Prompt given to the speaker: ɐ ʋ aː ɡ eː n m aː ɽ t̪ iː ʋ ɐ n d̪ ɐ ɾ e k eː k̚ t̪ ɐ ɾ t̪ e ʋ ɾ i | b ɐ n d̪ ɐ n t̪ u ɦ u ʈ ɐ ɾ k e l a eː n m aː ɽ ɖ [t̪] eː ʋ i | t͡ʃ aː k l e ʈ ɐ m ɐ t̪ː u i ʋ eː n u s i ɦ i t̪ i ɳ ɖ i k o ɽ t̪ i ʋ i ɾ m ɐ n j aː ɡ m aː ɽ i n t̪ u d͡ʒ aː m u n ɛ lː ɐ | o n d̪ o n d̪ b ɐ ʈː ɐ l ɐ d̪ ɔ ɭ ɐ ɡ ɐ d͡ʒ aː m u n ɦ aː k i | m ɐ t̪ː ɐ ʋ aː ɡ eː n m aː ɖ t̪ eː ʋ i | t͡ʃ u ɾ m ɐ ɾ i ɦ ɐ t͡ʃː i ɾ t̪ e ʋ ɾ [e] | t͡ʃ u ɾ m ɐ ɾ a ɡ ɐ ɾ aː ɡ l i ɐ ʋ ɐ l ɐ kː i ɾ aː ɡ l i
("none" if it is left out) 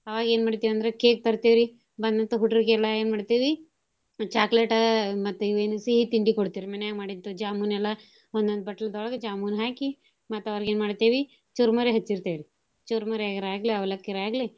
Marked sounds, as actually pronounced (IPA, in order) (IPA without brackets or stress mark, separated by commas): t̪, i